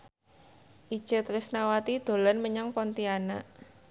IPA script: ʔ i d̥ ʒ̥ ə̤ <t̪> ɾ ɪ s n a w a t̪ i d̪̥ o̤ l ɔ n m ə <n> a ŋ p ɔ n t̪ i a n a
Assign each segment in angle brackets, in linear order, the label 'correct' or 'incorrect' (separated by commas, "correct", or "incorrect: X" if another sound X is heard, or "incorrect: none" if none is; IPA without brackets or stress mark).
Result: correct, incorrect: ɲ